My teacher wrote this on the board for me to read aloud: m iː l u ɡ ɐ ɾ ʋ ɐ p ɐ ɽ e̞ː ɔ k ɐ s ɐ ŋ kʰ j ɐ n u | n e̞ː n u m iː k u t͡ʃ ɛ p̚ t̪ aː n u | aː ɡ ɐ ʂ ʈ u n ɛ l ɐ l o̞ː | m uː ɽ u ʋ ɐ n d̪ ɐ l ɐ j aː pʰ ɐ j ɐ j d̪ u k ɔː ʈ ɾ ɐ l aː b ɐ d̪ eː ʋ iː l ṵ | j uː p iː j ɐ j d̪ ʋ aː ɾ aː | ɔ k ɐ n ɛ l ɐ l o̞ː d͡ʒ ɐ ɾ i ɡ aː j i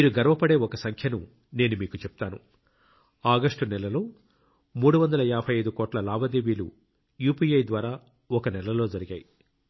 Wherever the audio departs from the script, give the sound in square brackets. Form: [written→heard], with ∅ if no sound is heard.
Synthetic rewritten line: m iː [l→ɾ] u ɡ ɐ ɾ ʋ ɐ p ɐ ɽ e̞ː ɔ k ɐ s ɐ ŋ kʰ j ɐ n u | n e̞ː n u m iː k u t͡ʃ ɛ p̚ t̪ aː n u | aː ɡ ɐ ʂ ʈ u n ɛ l ɐ l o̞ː | m uː ɽ u ʋ ɐ n d̪ ɐ l ɐ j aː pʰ ɐ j ɐ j d̪ u k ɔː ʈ [ɾ→l] ɐ l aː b ɐ d̪ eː ʋ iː l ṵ | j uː p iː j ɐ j d̪ ʋ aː ɾ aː | ɔ k ɐ n ɛ l ɐ l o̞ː d͡ʒ ɐ ɾ i ɡ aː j i